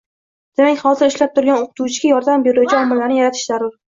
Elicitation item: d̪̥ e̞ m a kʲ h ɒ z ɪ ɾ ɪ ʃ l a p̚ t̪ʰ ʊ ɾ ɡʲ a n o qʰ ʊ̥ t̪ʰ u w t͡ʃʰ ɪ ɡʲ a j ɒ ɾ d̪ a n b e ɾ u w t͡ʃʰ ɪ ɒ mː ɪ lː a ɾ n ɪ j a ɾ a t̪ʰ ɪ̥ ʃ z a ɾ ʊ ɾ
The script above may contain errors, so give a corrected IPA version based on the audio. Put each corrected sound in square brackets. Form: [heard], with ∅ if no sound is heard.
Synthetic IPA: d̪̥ e̞ m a kʲ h ɒ z ɪ ɾ ɪ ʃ l a p̚ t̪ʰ ʊ ɾ ɡʲ a n o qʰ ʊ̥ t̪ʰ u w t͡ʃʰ ɪ ɡʲ a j ɒ ɾ d̪ a [m] b e ɾ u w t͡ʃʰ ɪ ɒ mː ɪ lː a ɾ n ɪ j a ɾ a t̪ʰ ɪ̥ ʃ z a ɾ ʊ ɾ